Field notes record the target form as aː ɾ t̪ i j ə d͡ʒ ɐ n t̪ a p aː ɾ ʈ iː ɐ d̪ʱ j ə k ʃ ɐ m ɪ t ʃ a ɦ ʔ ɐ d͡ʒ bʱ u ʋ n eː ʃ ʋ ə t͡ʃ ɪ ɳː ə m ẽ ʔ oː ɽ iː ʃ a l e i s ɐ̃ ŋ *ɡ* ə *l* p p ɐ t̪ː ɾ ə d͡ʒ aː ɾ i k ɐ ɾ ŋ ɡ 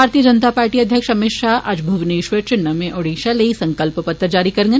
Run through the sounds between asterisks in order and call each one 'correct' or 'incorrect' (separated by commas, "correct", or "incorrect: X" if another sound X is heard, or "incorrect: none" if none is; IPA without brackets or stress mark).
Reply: incorrect: k, correct